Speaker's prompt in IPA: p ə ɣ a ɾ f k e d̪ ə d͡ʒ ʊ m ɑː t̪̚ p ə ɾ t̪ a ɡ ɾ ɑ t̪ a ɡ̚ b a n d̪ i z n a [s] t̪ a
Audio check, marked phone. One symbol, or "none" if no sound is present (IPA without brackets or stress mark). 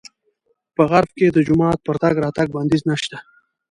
ʃ